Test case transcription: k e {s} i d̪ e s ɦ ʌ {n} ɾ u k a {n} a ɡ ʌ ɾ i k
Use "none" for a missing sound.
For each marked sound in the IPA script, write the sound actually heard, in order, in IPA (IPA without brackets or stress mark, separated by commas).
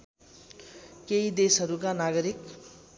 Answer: none, none, n